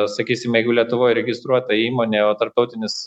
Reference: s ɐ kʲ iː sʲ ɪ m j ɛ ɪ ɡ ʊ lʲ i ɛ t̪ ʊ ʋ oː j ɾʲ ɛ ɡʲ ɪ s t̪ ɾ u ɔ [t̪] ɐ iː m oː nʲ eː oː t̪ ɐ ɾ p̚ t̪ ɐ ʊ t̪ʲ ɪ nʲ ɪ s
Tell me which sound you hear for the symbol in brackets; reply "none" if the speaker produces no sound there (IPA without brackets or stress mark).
t̪